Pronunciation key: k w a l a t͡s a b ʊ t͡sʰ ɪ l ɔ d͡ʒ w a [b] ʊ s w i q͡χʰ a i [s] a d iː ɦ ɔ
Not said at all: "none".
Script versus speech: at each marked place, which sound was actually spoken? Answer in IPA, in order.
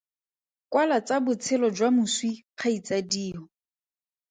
m, t͡s

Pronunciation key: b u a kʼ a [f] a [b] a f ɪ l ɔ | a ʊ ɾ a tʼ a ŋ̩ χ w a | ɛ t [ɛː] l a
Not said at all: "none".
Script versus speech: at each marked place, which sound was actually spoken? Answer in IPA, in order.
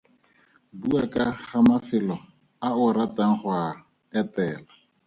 χ, m, ɛː

